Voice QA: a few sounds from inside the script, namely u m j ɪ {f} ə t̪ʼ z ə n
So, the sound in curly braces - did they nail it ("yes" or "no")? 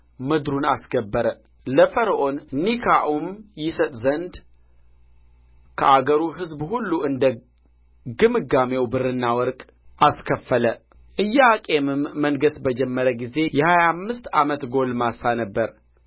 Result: no